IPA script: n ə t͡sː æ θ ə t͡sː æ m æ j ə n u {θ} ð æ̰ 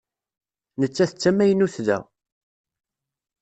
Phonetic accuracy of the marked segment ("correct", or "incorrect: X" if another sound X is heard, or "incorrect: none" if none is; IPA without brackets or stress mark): correct